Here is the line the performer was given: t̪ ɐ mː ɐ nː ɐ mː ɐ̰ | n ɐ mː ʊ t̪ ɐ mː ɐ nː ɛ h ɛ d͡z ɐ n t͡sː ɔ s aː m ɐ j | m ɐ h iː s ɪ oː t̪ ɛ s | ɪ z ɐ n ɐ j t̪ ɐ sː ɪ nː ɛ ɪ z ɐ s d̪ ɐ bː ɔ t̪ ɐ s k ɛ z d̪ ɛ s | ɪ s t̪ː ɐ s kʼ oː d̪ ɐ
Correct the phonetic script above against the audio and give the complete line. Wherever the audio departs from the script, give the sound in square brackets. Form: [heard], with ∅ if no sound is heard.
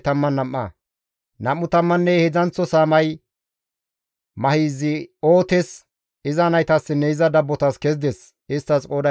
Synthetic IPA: t̪ ɐ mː ɐ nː ɐ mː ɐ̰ | n ɐ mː ʊ t̪ ɐ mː ɐ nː ɛ h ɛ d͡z ɐ n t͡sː ɔ s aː m ɐ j | m ɐ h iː [z] ɪ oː t̪ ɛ s | ɪ z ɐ n ɐ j t̪ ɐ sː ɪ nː ɛ ɪ z ɐ [∅] d̪ ɐ bː ɔ t̪ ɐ s k ɛ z d̪ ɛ s | ɪ s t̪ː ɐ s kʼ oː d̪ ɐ